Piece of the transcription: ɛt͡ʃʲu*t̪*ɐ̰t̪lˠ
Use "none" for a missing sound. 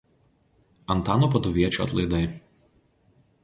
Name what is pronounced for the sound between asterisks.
none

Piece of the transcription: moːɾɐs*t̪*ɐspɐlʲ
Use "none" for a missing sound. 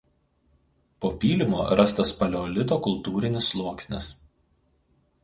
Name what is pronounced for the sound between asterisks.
t̪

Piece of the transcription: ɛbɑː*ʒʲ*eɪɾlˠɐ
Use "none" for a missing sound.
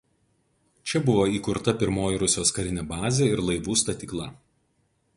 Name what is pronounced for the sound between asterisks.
zʲ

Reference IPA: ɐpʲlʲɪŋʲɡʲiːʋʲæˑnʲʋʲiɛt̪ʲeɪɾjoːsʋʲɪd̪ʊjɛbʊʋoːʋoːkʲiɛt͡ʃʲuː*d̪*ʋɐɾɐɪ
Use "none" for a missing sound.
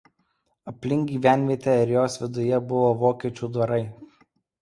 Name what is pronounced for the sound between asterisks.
d̪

